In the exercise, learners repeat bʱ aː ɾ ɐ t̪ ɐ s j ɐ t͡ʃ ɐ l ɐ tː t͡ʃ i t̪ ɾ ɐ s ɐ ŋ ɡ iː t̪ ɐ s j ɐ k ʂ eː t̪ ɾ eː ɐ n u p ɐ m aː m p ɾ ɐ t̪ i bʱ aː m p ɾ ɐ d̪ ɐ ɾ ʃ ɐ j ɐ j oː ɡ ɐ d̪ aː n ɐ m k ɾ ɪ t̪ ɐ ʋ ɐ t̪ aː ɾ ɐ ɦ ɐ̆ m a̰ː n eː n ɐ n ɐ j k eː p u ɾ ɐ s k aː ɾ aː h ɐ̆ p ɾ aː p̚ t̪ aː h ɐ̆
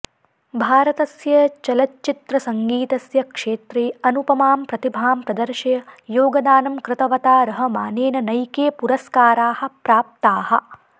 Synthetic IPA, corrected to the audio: bʱ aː ɾ ɐ t̪ ɐ s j ɐ t͡ʃ ɐ l ɐ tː t͡ʃ i t̪ ɾ ɐ s ɐ ŋ ɡ iː t̪ ɐ s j ɐ k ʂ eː t̪ ɾ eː ɐ n u p ɐ m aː m p ɾ ɐ t̪ i bʱ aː m p ɾ ɐ d̪ ɐ ɾ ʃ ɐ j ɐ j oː ɡ ɐ d̪ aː n ɐ m k ɾ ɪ t̪ ɐ ʋ ɐ t̪ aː ɾ ɐ ɦ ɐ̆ m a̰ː n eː n ɐ n ɐ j k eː p u ɾ ɐ s k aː ɾ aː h ɐ̆ p ɾ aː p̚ t̪ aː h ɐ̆